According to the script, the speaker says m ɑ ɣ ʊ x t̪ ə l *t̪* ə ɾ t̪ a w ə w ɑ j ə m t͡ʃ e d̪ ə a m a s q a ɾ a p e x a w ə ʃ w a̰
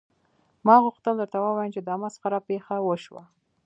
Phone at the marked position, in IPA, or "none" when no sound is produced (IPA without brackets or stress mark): d̪